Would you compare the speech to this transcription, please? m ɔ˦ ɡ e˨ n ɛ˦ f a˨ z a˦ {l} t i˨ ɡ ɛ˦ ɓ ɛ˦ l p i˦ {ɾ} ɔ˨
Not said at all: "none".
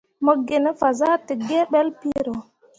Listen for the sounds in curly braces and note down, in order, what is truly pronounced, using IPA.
none, ɾ

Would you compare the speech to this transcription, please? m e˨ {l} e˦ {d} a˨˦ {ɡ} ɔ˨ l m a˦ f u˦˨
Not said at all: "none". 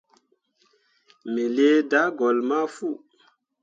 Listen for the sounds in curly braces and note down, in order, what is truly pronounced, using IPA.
l, d, ɡ

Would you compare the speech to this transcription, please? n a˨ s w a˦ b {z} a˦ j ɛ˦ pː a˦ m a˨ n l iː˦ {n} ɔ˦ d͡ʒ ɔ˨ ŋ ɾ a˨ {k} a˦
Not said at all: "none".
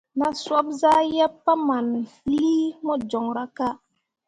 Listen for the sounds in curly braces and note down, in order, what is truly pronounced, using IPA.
z, m, k

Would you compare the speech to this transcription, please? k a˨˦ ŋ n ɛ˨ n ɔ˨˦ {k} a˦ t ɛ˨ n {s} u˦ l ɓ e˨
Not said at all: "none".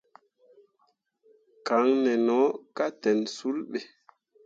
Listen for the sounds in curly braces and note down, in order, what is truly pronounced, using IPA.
k, s

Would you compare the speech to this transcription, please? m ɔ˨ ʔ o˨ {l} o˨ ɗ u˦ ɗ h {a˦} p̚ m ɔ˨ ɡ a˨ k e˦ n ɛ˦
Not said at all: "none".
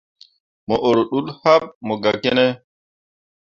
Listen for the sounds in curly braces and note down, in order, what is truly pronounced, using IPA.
ɾ, a˦

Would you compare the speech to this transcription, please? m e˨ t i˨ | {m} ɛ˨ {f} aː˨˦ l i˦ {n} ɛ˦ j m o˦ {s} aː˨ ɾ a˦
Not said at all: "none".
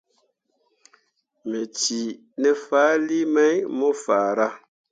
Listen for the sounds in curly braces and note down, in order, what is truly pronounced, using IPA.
n, f, m, f

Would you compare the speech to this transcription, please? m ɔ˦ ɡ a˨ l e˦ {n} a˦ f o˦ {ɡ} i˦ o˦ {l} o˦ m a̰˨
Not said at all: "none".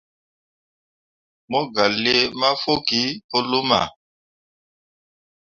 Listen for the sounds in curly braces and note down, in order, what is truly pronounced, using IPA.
m, k, l

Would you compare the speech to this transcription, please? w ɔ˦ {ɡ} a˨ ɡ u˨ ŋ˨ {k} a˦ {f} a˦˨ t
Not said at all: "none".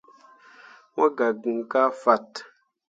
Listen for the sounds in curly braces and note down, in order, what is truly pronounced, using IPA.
ɡ, k, f

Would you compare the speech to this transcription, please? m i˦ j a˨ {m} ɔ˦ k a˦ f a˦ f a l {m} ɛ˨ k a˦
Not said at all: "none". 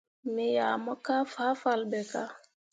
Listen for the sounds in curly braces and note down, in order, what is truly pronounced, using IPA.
m, b

